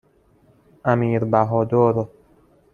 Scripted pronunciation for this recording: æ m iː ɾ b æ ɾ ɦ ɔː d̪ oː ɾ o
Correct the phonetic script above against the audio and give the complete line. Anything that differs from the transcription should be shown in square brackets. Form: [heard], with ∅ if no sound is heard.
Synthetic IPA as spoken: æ m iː ɾ b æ [∅] ɦ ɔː d̪ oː ɾ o